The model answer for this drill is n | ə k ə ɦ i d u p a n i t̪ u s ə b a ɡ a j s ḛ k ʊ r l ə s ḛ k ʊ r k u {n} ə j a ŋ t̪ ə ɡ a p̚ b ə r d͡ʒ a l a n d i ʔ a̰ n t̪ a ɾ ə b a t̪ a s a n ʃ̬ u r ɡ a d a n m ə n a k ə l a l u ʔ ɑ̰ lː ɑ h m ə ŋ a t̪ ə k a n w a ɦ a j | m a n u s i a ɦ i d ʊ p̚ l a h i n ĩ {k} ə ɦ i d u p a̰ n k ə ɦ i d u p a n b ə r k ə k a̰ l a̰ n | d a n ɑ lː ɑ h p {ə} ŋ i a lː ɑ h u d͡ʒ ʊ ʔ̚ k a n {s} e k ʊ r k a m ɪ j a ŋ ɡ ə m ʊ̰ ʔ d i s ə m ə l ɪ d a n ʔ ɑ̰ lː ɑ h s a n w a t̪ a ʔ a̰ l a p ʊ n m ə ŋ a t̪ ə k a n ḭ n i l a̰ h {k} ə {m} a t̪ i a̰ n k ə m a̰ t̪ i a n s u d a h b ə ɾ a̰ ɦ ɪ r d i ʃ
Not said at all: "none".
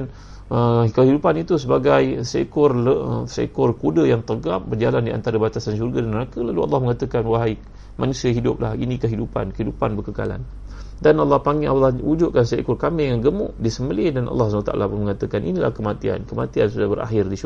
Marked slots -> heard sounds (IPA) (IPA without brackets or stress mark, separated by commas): d, k, a, s, k, m